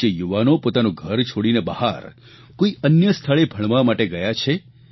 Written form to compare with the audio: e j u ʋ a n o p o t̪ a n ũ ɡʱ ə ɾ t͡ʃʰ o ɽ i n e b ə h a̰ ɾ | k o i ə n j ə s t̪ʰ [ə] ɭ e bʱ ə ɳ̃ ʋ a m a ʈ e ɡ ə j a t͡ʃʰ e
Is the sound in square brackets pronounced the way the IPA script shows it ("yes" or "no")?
no